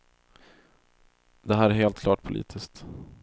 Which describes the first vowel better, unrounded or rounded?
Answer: unrounded